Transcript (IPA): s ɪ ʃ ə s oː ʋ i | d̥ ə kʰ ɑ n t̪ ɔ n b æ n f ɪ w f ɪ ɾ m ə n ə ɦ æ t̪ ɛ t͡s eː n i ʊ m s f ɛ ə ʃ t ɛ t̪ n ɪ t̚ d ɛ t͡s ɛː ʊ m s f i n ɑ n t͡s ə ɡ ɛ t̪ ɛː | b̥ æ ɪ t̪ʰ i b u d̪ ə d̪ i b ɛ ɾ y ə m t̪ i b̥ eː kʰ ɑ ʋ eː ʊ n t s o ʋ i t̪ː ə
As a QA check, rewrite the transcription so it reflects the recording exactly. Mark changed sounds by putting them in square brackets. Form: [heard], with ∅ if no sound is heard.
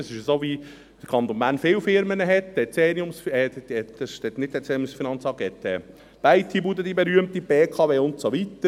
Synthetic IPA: s ɪ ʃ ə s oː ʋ i | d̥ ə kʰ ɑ n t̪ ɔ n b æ n f ɪ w f ɪ ɾ m ə n ə ɦ [ɛ] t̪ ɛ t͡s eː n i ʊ m s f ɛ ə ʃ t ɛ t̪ n ɪ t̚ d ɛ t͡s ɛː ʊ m s f i n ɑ n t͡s [ɑ] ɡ ɛ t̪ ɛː | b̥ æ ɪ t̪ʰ i b u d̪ ə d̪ i b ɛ ɾ y ə m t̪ i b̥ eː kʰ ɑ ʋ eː ʊ n t s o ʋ i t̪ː ə

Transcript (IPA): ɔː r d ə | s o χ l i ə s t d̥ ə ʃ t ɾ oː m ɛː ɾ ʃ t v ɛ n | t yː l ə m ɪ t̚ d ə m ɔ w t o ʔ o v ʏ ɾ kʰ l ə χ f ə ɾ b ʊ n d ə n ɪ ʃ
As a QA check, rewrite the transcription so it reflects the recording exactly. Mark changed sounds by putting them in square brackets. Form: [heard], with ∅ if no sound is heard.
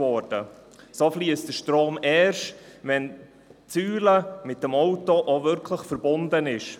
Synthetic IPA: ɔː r d ə | s o [f] l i ə s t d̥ ə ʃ t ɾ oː m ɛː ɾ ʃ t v ɛ n | [t͡s] yː l ə m ɪ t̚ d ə m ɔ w t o ʔ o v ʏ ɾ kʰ l ə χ f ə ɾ b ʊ n d ə n ɪ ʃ

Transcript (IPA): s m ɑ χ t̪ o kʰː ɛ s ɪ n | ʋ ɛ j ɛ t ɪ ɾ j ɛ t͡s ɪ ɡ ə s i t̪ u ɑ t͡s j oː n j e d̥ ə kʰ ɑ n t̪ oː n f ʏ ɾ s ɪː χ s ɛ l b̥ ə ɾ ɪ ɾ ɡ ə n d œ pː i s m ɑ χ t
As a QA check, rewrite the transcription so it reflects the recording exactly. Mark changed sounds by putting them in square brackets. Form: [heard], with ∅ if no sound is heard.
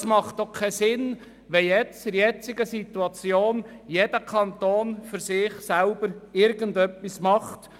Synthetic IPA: s m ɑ χ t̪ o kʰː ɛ s ɪ n | ʋ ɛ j ɛ [t͡s] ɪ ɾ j ɛ t͡s ɪ ɡ ə s i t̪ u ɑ t͡s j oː n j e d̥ ə kʰ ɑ n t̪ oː n f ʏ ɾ s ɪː χ s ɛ l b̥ ə ɾ ɪ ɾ ɡ ə n d œ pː i s m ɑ χ t

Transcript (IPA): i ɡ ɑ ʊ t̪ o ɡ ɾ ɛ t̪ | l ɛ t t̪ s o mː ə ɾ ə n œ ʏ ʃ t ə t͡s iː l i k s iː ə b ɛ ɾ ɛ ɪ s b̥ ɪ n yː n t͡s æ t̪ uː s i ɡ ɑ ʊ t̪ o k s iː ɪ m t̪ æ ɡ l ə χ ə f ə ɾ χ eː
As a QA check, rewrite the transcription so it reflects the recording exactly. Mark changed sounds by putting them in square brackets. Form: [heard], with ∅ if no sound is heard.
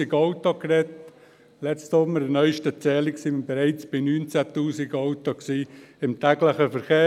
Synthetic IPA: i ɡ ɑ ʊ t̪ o [k] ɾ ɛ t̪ | l ɛ [t͡s] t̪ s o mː ə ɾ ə n œ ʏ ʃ t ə t͡s [ɛː] l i k s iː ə b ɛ ɾ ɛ ɪ [t͡s] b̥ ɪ n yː n t͡s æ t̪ uː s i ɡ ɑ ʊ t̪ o k s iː ɪ m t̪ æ ɡ l ə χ ə f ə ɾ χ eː

